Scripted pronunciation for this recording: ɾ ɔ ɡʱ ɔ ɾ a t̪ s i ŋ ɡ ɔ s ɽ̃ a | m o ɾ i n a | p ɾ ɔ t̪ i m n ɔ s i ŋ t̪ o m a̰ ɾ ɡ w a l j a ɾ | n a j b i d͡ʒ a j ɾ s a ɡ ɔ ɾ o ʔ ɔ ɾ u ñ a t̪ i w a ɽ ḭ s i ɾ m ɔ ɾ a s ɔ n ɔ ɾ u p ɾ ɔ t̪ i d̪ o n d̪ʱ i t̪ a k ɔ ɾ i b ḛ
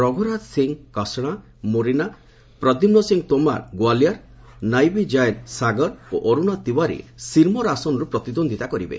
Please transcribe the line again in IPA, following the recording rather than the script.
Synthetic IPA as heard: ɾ ɔ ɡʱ ɔ ɾ a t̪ s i ŋ k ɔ s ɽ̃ a | m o ɾ i n a | p ɾ ɔ d̪ i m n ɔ s i ŋ t̪ o m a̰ ɾ ɡ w a l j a ɾ | n a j b i d͡ʒ a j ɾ s a ɡ ɔ ɾ o ʔ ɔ ɾ u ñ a t̪ i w a ɾ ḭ s i ɾ m ɔ ɾ a s ɔ n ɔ ɾ u p ɾ ɔ t̪ i d̪ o n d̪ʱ i t̪ a k ɔ ɾ i b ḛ